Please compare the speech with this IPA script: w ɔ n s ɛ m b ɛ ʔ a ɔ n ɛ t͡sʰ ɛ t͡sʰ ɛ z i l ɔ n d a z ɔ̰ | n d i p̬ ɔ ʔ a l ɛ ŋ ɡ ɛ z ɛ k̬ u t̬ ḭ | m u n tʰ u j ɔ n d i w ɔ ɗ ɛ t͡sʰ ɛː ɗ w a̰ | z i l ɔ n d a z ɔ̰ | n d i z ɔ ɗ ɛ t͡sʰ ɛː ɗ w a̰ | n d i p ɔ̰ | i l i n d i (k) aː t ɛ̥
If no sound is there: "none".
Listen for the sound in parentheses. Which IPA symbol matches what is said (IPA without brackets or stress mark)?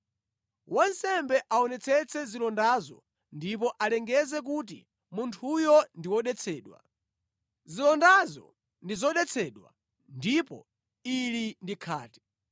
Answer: kʰ